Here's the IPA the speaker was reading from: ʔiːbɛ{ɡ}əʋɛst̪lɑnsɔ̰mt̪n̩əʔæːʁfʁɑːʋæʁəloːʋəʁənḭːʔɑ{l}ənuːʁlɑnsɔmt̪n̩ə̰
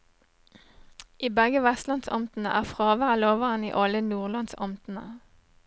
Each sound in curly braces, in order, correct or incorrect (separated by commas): correct, correct